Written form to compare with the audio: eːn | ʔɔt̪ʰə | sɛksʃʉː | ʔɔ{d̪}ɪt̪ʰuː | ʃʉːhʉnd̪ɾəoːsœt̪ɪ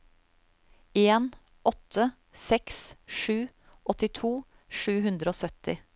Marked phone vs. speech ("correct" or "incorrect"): incorrect